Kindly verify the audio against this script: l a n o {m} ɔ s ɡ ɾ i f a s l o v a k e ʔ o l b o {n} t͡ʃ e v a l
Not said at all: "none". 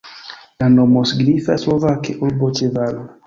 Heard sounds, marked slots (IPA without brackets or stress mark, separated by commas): m, none